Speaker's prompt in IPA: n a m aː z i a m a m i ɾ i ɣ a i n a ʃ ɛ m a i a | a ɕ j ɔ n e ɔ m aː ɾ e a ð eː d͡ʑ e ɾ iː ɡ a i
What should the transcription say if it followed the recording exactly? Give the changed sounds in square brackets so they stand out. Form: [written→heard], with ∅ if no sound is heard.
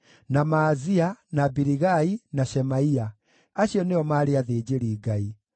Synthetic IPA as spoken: n a m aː z i a [m→n] a [m→b] i ɾ i ɣ a i n a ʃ ɛ m a i a | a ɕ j ɔ n e ɔ m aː ɾ e a ð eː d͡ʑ e ɾ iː ɡ a i